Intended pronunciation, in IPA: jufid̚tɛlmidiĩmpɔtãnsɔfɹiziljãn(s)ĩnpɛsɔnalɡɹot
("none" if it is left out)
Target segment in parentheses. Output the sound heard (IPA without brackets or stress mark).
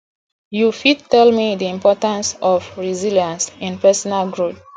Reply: s